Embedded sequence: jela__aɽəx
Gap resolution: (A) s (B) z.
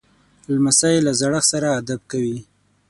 B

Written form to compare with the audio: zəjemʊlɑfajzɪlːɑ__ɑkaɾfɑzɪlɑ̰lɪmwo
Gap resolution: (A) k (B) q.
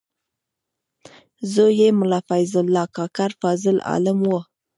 A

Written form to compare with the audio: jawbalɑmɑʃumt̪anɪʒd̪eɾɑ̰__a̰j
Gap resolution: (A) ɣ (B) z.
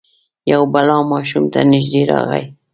A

